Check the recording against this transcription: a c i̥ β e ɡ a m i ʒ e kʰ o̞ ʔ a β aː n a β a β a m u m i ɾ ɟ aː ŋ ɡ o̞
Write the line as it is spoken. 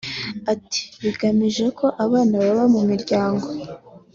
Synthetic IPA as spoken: a t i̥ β i ɡ a m i ʒ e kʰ o̞ ʔ a β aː n a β a β a m u m i ɾ ɟ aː ŋ ɡ o̞